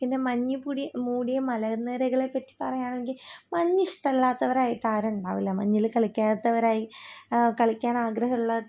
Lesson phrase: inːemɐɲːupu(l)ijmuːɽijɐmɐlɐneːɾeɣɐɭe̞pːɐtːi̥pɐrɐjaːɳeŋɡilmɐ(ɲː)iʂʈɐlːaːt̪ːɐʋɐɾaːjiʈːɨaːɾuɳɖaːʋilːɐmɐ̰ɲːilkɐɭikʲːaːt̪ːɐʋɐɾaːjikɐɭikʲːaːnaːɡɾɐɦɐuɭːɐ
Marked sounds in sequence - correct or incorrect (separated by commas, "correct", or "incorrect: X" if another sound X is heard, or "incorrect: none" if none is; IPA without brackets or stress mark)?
incorrect: ɽ, correct